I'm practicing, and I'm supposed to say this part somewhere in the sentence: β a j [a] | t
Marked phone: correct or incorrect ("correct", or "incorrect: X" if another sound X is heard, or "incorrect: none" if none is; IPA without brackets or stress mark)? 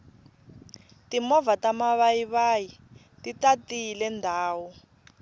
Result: incorrect: i